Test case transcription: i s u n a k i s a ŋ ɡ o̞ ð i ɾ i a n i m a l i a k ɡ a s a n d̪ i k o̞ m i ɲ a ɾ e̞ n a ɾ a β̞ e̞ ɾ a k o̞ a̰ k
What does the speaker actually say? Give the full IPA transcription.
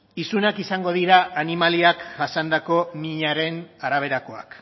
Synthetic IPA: i s u n a k i s a ŋ ɡ o̞ ð i ɾ a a n i m a l i a k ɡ a s a n d̪ a k o̞ m i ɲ a ɾ e̞ n a ɾ a β̞ e̞ ɾ a k o̞ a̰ k

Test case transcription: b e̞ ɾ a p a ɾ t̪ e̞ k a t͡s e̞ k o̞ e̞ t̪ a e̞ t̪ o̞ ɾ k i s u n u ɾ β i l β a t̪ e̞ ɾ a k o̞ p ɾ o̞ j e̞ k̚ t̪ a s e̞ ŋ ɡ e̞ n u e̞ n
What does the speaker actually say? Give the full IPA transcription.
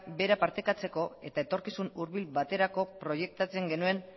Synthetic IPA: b e̞ ɾ a p a ɾ t̪ e̞ k a t͡s e̞ k o̞ e̞ t̪ a e̞ t̪ o̞ ɾ k i s u n u ɾ β i l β a t̪ e̞ ɾ a k o̞ p ɾ o̞ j e̞ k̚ t̪ a t͡s e̞ ŋ ɡ e̞ n u e̞ n

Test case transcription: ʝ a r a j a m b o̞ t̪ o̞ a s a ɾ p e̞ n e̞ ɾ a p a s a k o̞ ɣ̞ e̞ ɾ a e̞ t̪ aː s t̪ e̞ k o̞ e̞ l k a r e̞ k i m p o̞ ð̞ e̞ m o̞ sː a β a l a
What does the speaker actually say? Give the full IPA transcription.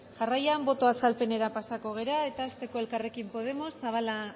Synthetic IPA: ʝ a r a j a m b o̞ t̪ o̞ a s a l p e̞ n e̞ ɾ a p a s a k o̞ ɣ̞ e̞ ɾ a e̞ t̪ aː s t̪ e̞ k o̞ e̞ l k a r e̞ k i m p o̞ ð̞ e̞ m o̞ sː a β a l a

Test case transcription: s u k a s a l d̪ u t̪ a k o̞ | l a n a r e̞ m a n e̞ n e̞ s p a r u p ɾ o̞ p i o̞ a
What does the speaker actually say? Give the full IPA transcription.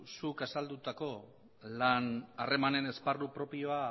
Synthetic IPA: s u k a s a l d̪ u t̪ a k o̞ | l a n a r e̞ m a n e̞ n e̞ s p a r u p ɾ o̞ p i o̞ a

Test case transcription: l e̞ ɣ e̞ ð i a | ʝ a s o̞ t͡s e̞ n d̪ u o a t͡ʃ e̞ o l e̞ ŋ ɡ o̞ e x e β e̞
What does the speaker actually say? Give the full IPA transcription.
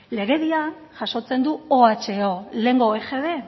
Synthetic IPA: l e̞ ɣ e̞ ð i a | ʝ a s o̞ t͡s e̞ n d̪ u o a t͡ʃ e̞ o l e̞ ŋ ɡ o̞ e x e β e̞

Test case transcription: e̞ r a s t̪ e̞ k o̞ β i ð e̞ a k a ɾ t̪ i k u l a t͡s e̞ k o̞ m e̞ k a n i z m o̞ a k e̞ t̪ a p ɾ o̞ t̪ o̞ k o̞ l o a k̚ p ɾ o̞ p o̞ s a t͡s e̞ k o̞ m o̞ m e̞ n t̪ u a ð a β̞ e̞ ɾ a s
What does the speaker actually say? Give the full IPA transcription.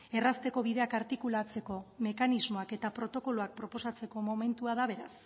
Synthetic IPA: e̞ r a s t̪ e̞ k o̞ β i ð e̞ a k a ɾ t̪ i k u l a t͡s e̞ k o̞ m e̞ k a n i z m o̞ a k e̞ t̪ a p ɾ o̞ t̪ o̞ k o̞ l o a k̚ p ɾ o̞ p o̞ s a t͡s e̞ k o̞ m o̞ m e̞ n t̪ u a ð a β̞ e̞ ɾ a s

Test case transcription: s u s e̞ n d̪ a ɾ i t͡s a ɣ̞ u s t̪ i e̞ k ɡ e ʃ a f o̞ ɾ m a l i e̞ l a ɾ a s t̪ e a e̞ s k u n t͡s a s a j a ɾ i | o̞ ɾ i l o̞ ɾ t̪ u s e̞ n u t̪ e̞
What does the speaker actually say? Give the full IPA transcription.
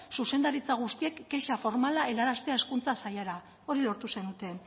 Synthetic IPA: s u s e̞ n d̪ a ɾ i t͡s a ɣ̞ u s t̪ i e̞ k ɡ e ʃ a f o̞ ɾ m a l a e̞ l a ɾ a s t̪ e a e̞ s k u n t͡s a s a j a ɾ a | o̞ ɾ i l o̞ ɾ t̪ u s e̞ n u t̪ e̞

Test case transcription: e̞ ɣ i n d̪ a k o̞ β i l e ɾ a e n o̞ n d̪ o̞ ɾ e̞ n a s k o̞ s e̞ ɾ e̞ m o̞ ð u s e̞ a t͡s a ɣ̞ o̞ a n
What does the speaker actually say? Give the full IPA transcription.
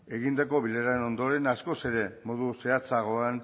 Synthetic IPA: e̞ ɣ i n d̪ a k o̞ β i l e ɾ a e n o̞ n d̪ o̞ ɾ e̞ n a s k o̞ s e̞ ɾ e̞ m o̞ ð u s e̞ a t͡s a ɣ̞ o̞ a n

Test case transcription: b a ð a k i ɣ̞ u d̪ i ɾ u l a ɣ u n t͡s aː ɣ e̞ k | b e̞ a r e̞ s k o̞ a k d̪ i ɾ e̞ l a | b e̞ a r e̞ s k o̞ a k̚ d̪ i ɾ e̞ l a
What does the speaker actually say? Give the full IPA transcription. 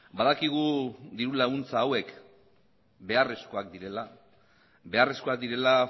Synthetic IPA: b a ð a k i ɣ̞ u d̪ i ɾ u l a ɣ u n t͡s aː w e̞ k | b e̞ a r e̞ s k o̞ a k d̪ i ɾ e̞ l a | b e̞ a r e̞ s k o̞ a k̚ d̪ i ɾ e̞ l a

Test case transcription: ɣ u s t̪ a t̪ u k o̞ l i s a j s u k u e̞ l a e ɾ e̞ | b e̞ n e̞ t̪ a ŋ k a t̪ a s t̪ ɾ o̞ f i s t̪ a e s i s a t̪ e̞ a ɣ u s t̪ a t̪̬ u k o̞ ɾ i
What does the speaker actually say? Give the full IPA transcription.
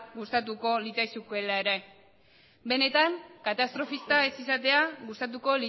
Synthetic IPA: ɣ u s t̪ a t̪ u k o̞ l i t͡s a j s u k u e̞ l a e ɾ e̞ | b e̞ n e̞ t̪ a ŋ k a t̪ a s t̪ ɾ o̞ f i s t̪ a e s i s a t̪ e̞ a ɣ u s t̪ a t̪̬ u k o̞ l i

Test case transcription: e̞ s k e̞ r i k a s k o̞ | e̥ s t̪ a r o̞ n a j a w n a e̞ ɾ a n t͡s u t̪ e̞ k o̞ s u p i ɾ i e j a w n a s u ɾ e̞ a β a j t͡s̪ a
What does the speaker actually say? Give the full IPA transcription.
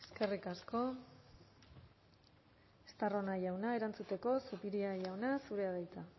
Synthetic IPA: e̞ s k e̞ r i k a s k o̞ | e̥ s t̪ a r o̞ n a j a w n a e̞ ɾ a n t͡s u t̪ e̞ k o̞ s u p i ɾ i a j a w n a s u ɾ e̞ a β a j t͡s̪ a

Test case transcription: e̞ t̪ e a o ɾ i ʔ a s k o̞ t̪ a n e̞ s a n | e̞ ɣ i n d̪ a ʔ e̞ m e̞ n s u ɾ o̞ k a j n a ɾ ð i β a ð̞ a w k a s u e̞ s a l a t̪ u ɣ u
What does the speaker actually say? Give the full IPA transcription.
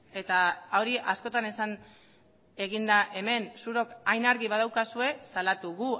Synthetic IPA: e̞ t̪ a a o ɾ i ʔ a s k o̞ t̪ a n e̞ s a n | e̞ ɣ i n d̪ a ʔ e̞ m e̞ n s u ɾ o̞ k a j n a ɾ ɣ i β a ð̞ a w k a s u e̞ s a l a t̪ u ɣ u

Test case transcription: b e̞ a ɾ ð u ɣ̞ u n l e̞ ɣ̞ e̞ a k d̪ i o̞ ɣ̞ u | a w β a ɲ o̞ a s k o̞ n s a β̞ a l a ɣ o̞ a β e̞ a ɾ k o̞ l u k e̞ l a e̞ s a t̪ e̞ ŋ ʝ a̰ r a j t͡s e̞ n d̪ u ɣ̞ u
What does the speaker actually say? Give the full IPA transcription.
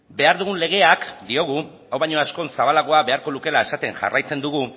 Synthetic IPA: b e̞ a ɾ ð u ɣ̞ u n l e̞ ɣ̞ e̞ a k d̪ i o̞ ɣ̞ u | a w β a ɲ o̞ a s k o̞ n s a β̞ a l a ɣ o̞ a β e̞ a ɾ k o̞ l u k e̞ l a e̞ s a t̪ e̞ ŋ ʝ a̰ r a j t͡s e̞ n d̪ u ɣ̞ u

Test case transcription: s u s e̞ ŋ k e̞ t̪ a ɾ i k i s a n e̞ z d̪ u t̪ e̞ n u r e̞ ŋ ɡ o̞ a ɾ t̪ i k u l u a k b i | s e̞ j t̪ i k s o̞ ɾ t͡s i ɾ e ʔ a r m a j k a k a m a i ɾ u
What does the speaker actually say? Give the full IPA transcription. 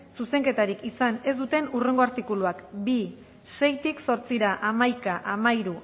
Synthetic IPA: s u s e̞ ŋ k e̞ t̪ a ɾ i k i s a n e̞ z d̪ u t̪ e̞ n u r e̞ ŋ ɡ o̞ a ɾ t̪ i k u l u a k b i | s e̞ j t̪ i k s o̞ ɾ t͡s i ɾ a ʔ a m a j k a ʔ a m a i ɾ u

